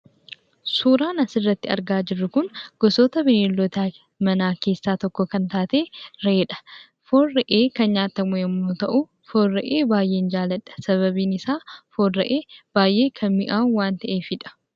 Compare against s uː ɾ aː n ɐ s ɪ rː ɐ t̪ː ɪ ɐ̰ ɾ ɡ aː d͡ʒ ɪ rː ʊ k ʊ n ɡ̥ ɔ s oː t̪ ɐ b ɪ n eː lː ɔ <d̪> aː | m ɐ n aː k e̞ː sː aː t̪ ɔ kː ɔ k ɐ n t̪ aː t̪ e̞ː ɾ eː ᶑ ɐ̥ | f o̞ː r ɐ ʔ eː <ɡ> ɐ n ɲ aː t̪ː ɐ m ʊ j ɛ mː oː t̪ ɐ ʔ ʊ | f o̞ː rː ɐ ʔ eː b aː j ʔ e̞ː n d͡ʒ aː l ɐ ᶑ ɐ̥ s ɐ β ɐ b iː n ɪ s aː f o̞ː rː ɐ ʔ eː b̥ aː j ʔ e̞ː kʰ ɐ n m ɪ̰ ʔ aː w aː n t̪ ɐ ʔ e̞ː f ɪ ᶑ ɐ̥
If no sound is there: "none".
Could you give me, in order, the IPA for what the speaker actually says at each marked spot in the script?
t̪, k

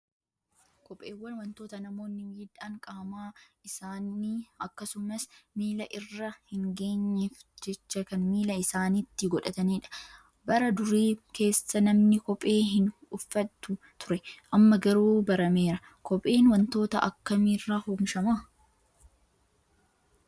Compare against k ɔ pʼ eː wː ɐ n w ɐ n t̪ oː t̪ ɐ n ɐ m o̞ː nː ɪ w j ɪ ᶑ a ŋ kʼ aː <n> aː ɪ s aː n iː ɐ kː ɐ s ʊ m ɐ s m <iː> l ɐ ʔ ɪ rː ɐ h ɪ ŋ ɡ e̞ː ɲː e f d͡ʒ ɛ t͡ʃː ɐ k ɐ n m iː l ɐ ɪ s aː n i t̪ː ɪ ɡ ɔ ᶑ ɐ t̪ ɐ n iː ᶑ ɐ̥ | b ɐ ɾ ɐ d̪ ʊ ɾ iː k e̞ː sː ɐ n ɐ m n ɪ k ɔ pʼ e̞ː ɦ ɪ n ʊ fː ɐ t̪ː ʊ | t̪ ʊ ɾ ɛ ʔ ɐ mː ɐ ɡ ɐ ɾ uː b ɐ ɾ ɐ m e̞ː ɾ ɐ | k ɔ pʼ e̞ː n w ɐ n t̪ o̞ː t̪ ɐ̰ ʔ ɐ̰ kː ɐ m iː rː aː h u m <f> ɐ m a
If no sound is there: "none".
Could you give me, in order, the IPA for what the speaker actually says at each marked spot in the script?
m, iː, ʃ

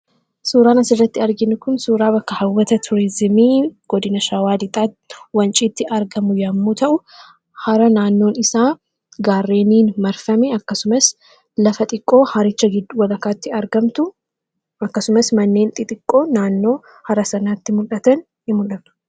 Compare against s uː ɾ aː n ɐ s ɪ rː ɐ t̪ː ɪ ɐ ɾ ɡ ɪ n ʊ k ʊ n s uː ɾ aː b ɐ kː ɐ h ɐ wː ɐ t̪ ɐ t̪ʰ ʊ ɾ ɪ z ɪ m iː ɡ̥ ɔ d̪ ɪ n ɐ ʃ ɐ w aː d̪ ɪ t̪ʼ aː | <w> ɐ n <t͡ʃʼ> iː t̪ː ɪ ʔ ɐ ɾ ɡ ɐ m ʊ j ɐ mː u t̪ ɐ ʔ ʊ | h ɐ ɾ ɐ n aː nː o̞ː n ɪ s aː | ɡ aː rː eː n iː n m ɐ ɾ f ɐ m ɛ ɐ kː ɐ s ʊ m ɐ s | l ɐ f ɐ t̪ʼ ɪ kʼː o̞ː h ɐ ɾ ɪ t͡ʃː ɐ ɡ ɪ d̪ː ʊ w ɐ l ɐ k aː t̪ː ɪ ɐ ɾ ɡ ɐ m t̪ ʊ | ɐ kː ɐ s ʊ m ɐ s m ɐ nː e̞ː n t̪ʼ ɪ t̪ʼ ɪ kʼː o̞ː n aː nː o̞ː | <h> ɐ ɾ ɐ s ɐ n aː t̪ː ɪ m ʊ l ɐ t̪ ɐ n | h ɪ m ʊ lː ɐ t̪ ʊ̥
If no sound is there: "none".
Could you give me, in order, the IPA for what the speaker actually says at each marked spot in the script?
w, t͡ʃʼ, h

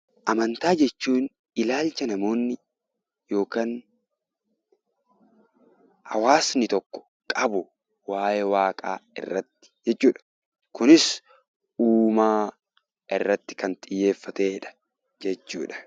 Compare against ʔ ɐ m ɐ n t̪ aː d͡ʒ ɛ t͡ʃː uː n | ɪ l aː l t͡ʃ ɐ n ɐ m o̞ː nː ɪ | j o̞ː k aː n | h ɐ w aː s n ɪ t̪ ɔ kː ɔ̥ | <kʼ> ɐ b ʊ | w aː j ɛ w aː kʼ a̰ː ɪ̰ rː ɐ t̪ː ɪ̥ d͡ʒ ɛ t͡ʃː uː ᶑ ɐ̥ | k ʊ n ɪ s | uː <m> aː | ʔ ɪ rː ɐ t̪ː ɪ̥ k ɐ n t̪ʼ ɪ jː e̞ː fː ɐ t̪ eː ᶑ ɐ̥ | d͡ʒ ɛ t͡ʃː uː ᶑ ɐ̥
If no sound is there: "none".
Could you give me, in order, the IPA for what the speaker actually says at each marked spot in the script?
kʼ, m

